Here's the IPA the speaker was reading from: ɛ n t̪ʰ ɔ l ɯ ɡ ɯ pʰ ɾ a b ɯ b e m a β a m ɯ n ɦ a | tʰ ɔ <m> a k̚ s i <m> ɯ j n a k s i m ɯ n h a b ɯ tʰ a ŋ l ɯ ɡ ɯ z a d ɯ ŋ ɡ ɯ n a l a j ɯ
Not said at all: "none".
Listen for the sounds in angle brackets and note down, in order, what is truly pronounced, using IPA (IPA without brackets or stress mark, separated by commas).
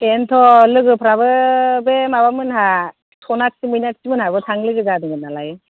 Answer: n, m